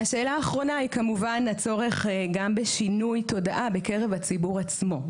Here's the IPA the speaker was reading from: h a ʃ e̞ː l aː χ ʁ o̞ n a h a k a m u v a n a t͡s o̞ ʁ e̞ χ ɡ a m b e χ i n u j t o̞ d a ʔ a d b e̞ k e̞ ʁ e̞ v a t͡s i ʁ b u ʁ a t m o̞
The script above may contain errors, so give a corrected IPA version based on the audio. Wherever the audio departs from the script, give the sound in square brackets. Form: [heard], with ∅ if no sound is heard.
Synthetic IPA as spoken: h a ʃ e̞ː l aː χ ʁ o̞ n a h [i] k a m u v a n a t͡s o̞ ʁ e̞ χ ɡ a m b e [ʃ] i n u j t o̞ d a ʔ a [∅] b e̞ k e̞ ʁ e̞ v a t͡s i [∅] b u ʁ a [t͡s] m o̞